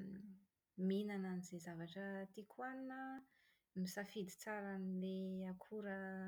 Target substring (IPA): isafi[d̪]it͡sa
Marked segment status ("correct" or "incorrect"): correct